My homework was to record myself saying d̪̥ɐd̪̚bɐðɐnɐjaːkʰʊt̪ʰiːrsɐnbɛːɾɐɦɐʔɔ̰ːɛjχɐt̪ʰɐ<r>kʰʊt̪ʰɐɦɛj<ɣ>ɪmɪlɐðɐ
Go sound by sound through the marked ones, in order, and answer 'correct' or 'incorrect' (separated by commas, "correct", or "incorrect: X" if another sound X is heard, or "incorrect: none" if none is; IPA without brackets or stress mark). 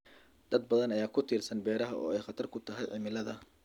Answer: correct, incorrect: ʕ